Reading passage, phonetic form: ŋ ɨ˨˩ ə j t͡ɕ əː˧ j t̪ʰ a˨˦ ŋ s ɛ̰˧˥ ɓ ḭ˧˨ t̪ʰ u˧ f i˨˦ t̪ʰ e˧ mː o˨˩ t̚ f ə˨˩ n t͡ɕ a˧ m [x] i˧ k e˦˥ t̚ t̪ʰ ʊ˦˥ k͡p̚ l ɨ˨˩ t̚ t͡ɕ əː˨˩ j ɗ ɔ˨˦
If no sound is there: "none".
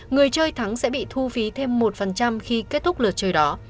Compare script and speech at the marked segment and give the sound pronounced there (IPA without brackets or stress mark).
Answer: x